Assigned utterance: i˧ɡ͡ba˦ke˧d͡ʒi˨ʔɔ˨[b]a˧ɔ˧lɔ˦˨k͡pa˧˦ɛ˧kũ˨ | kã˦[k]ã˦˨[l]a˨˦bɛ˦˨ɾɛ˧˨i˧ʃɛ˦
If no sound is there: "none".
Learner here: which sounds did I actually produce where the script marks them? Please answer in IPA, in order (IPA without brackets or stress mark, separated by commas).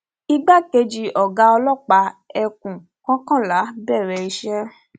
ɡ, k, l